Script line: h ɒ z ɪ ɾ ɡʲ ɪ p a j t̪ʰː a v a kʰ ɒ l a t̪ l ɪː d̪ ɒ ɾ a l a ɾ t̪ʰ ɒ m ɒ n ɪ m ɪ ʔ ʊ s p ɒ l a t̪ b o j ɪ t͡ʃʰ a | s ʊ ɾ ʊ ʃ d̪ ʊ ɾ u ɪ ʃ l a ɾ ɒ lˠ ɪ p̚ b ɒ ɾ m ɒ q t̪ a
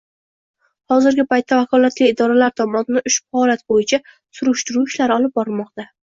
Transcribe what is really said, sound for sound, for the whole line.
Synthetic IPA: h ɒ z ɪ ɾ ɡʲ ɪ p a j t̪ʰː a v a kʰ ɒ l a t̪ l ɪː d̪ ɒ ɾ a l a ɾ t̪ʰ ɒ m ɒ n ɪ n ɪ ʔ ʊ ʃ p ɒ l a t̪ b o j ɪ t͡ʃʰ a | s ʊ ɾ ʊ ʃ t̪ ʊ ɾ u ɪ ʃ l a ɾ ɒ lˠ ɪ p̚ b ɒ ɾ m ɒ q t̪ a